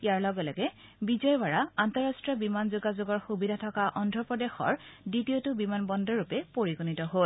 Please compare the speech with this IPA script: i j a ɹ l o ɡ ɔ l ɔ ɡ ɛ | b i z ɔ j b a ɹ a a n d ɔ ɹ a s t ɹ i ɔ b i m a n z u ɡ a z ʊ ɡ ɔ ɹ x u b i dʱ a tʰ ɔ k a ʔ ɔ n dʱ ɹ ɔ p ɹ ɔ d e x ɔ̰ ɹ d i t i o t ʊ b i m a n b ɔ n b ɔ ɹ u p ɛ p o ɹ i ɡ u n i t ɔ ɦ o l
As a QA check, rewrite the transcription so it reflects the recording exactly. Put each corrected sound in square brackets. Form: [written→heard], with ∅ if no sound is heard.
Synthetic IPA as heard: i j a ɹ l [o→ɔ] ɡ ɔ l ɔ ɡ ɛ | b i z ɔ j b a ɹ a a n [d→t] ɔ ɹ a s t ɹ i ɔ b i m a n z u ɡ a z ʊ ɡ ɔ ɹ x u b i dʱ a tʰ ɔ k a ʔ ɔ n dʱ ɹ ɔ p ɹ ɔ d e x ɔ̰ ɹ d i t i o t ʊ b i m a n b ɔ n [b→d] ɔ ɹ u p ɛ p o ɹ i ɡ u n i t ɔ ɦ o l